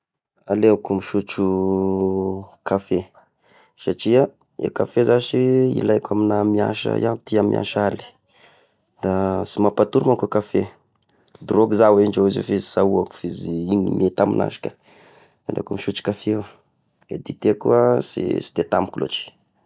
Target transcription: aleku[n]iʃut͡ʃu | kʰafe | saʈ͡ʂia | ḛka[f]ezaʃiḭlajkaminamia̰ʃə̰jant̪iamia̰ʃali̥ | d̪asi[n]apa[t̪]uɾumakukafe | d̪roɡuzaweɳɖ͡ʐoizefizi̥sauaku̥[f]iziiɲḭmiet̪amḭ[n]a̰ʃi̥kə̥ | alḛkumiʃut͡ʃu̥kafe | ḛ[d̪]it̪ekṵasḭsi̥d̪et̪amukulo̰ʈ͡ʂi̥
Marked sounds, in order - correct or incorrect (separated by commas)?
incorrect, correct, incorrect, correct, correct, correct, correct